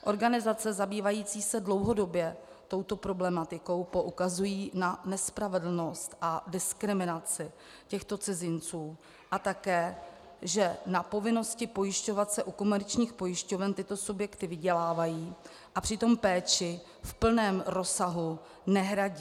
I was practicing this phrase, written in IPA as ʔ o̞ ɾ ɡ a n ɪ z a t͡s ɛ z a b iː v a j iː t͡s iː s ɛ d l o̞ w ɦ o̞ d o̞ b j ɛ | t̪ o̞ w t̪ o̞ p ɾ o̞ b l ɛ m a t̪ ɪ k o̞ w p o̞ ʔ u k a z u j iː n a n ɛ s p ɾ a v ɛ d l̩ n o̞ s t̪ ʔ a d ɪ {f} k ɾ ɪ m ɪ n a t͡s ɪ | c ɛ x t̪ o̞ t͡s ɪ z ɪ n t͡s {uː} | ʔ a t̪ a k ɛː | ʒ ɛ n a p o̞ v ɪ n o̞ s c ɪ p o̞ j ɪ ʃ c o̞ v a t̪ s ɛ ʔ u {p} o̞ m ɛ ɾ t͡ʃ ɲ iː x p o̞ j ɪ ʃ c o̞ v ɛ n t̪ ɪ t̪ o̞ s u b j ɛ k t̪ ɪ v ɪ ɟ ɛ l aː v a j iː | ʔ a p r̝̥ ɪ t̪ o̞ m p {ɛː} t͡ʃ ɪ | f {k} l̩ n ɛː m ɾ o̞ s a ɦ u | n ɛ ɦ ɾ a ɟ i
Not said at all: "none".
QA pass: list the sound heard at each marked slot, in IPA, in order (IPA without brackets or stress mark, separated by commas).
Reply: s, uː, k, ɛː, p